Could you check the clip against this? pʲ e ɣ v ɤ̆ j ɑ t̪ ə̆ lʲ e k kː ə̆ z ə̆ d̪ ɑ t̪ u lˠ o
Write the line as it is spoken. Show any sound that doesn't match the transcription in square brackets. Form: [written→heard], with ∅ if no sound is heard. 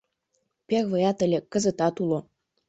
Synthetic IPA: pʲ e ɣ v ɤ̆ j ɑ t̪ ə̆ lʲ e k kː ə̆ z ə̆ [d̪→t̪] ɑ t̪ u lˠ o